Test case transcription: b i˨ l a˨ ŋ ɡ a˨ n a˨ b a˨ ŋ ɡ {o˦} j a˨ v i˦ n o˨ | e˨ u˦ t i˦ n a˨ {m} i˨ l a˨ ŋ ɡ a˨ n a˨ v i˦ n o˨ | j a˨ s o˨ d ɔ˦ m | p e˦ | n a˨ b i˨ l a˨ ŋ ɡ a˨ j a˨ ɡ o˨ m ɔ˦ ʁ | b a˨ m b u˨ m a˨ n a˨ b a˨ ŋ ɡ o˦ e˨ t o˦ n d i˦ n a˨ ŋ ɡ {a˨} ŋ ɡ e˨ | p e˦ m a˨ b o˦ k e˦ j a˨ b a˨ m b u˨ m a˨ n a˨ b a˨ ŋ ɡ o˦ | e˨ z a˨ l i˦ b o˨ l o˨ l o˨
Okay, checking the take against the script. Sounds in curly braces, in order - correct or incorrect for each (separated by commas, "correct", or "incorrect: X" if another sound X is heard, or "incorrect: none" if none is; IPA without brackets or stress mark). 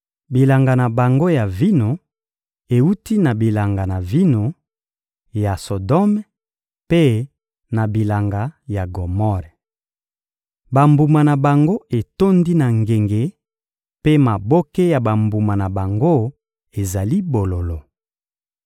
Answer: correct, incorrect: b, incorrect: e˨